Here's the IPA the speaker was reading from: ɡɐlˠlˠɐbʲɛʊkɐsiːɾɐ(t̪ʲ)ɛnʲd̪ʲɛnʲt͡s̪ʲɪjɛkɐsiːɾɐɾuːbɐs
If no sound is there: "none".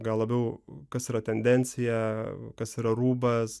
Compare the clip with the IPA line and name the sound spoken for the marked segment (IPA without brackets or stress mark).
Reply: t̪ʲ